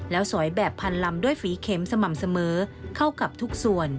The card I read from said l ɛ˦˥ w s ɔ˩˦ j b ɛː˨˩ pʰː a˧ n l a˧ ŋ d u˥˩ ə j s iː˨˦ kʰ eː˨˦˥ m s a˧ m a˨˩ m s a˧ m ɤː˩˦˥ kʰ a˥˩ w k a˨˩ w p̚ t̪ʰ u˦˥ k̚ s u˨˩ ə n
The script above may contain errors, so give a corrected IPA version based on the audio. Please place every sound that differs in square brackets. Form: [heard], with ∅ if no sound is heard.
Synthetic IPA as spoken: l [ɛː˦˥] w s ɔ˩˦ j b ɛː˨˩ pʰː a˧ n l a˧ [m] d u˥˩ ə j [f] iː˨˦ kʰ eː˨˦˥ m s a˧ m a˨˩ m s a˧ m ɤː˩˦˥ kʰ a˥˩ w k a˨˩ [∅] p̚ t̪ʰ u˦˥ k̚ s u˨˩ ə n